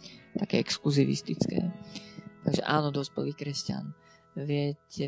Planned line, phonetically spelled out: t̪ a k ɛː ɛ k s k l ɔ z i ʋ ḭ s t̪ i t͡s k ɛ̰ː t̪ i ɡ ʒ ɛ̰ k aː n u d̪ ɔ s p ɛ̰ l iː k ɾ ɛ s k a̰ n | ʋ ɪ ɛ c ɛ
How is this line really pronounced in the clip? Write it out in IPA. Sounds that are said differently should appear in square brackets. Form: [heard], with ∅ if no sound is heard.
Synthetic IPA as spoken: t̪ a k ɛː ɛ k s k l [u] z i ʋ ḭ s t̪ i t͡s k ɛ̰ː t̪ [a] ɡ ʒ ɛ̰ [ʔ] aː n [ɔ] d̪ ɔ s p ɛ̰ l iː k ɾ ɛ s [c] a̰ n | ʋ ɪ ɛ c ɛ